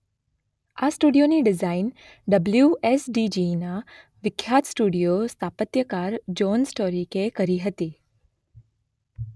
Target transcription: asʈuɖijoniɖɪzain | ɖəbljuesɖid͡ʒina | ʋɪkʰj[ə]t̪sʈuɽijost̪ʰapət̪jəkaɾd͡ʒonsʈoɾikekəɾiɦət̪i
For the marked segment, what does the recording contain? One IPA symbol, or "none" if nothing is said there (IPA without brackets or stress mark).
a